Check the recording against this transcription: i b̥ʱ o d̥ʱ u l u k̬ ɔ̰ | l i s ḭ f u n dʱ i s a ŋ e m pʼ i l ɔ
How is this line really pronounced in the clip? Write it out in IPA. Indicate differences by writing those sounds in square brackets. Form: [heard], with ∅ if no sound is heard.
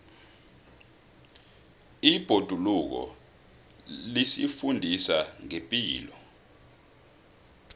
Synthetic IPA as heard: i b̥ʱ o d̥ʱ u l u k̬ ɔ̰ | l i s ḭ f u n dʱ i s a ŋ e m pʼ [iː] l ɔ

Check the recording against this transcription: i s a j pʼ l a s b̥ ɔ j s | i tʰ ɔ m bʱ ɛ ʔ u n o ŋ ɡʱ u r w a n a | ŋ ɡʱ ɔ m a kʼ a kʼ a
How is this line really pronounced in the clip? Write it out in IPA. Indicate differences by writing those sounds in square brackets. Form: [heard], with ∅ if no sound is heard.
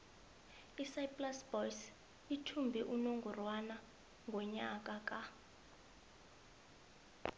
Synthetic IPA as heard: i s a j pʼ l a s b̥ ɔ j s | i tʰ [u] m bʱ ɛ ʔ u n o ŋ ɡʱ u r w a n a | ŋ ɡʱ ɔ [ɲ] a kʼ a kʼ a

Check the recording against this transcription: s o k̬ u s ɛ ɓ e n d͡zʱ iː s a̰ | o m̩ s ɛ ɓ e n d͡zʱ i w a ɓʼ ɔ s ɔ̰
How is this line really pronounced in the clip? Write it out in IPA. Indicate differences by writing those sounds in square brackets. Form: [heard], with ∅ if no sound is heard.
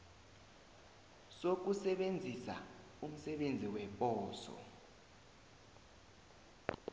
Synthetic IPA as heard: s o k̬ u s ɛ ɓ e n d͡zʱ [i] s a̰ | [u] m̩ s ɛ ɓ e n d͡zʱ i w [ɛ] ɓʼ [ɔː] s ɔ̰

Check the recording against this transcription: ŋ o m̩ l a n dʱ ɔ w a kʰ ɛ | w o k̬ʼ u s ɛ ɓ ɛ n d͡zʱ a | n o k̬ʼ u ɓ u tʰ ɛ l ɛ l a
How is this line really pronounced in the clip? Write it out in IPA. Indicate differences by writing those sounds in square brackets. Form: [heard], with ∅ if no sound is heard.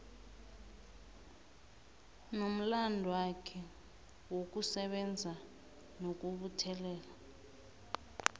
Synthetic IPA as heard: [n] o m̩ l a n dʱ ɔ w a kʰ ɛ | w o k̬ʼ u s ɛ ɓ ɛ n d͡zʱ a | n o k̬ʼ u ɓ u tʰ ɛ l [ɛː] l a

